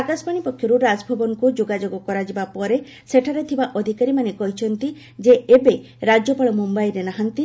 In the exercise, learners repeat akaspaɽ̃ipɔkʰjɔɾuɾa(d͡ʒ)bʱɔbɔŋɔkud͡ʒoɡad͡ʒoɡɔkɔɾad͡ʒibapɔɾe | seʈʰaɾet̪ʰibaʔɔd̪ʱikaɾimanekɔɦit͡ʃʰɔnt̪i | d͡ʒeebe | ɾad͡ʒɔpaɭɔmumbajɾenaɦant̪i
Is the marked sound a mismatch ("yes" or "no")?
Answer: no